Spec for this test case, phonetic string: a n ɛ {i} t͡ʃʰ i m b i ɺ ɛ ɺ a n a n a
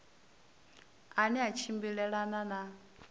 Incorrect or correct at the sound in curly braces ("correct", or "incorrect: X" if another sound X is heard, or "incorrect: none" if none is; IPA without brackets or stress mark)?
incorrect: a